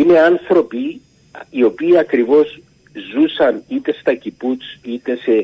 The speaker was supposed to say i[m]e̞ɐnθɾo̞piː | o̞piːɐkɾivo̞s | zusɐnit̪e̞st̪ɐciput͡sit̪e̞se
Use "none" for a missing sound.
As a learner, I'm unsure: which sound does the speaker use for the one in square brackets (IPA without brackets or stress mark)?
n